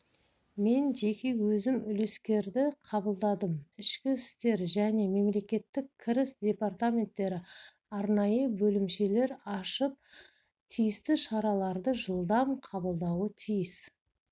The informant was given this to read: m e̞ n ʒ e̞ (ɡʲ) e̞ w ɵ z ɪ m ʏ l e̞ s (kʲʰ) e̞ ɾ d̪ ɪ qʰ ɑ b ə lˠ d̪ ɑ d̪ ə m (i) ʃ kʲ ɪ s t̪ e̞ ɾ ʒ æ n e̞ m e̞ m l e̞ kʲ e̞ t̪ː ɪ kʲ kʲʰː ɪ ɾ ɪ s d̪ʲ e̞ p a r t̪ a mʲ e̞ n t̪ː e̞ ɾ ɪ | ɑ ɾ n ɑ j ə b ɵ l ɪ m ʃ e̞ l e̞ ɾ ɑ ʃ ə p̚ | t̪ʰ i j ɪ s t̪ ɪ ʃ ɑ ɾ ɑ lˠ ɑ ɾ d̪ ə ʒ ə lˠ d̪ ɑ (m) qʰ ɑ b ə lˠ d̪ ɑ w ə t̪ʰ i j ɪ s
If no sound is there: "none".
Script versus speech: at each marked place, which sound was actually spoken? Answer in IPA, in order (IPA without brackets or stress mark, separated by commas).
kʲ, kʲ, ɪ, m